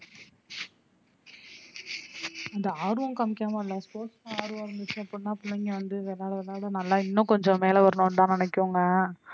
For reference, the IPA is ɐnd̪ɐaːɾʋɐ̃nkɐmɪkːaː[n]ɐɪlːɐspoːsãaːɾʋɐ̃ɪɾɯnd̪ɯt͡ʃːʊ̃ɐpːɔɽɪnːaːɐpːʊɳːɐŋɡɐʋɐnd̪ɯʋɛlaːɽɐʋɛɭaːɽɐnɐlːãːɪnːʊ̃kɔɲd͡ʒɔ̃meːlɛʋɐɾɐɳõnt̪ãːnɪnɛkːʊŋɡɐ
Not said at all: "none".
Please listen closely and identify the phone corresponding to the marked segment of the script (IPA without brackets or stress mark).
m